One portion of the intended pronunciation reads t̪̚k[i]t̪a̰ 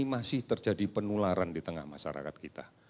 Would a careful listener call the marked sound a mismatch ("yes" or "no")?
no